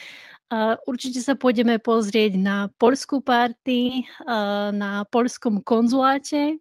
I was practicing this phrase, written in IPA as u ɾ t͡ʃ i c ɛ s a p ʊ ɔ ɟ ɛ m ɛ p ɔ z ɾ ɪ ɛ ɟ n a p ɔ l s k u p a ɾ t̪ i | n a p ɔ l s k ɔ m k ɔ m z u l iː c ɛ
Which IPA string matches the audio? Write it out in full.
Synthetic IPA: u ɾ t͡ʃ i c ɛ s a p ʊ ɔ ɟ ɛ m ɛ p ɔ z ɾ ɪ ɛ ɟ n a p ɔ ʎ s k u p a ɾ t̪ i | n a p ɔ ʎ s k ɔ m k ɔ n z u l aː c ɛ